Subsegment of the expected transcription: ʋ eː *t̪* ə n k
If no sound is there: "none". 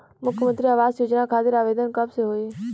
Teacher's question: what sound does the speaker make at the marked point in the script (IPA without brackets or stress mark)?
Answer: d̪